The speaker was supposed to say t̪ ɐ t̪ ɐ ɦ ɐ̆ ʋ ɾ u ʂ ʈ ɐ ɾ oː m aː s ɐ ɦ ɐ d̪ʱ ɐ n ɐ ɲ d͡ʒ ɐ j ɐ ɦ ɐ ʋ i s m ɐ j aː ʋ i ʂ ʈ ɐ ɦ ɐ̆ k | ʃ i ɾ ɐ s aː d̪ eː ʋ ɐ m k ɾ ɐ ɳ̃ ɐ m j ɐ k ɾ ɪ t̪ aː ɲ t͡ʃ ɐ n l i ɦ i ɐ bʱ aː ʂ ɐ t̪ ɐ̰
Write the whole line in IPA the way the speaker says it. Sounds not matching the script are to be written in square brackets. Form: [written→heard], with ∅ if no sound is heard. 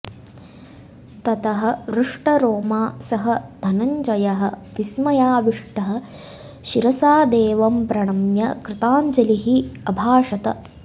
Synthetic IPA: t̪ ɐ t̪ ɐ ɦ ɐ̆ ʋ ɾ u ʂ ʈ ɐ ɾ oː m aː s ɐ ɦ ɐ d̪ʱ ɐ n ɐ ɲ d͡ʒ ɐ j ɐ ɦ ɐ ʋ i s m ɐ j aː ʋ i ʂ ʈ ɐ ɦ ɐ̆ [k→∅] | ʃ i ɾ ɐ s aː d̪ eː ʋ ɐ m [k→p] ɾ ɐ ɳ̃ ɐ m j ɐ k ɾ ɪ t̪ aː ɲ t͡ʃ ɐ [n→∅] l i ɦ i ɐ bʱ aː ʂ ɐ t̪ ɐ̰